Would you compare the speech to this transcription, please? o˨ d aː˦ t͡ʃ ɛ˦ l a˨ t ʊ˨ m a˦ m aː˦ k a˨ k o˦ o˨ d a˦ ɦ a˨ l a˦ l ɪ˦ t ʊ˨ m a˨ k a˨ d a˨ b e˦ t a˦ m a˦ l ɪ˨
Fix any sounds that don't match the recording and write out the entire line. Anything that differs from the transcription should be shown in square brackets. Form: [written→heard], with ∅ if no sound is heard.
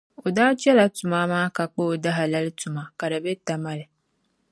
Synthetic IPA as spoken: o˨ d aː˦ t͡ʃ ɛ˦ l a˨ t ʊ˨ m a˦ m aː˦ k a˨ [k→k͡p] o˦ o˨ d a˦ ɦ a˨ l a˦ l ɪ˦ t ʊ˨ m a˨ k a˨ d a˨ b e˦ t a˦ m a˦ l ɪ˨